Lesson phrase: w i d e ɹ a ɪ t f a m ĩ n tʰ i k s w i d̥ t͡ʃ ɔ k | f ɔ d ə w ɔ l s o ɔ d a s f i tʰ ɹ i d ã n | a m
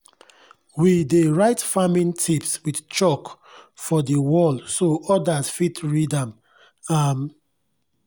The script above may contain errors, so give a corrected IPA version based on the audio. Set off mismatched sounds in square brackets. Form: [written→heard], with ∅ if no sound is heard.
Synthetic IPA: w i d e ɹ a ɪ t f a m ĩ n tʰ i [k→p] s w i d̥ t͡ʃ ɔ k | f ɔ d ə w ɔ l s o ɔ d a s f i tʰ ɹ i d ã [n→m] | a m